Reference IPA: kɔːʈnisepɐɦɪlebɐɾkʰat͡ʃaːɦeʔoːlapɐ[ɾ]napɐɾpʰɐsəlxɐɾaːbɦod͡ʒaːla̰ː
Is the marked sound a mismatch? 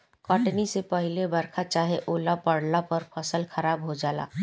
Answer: yes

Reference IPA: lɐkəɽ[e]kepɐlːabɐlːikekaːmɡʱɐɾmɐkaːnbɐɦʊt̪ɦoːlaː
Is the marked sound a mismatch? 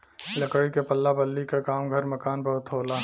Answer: yes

